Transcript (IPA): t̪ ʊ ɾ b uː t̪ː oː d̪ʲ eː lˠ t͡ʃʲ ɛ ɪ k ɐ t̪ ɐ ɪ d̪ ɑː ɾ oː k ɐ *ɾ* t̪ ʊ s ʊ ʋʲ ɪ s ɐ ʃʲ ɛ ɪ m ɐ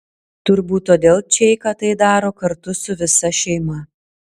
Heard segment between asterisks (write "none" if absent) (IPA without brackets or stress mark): ɾ